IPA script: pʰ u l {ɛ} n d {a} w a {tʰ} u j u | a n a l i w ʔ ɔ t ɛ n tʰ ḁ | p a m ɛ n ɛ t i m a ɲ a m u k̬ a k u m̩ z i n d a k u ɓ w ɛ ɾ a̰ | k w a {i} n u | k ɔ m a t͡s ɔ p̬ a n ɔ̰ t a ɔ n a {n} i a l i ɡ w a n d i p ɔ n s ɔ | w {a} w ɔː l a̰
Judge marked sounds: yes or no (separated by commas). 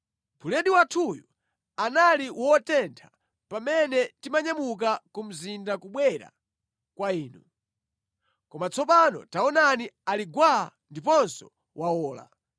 yes, no, yes, no, yes, yes